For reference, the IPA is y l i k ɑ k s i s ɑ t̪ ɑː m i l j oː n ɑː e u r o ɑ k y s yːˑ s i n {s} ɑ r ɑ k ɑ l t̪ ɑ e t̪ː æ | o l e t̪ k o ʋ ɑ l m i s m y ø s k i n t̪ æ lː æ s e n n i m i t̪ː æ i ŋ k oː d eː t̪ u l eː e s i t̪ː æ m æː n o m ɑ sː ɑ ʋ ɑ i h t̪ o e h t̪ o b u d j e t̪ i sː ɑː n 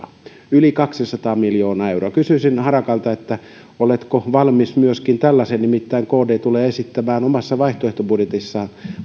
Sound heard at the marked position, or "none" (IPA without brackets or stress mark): h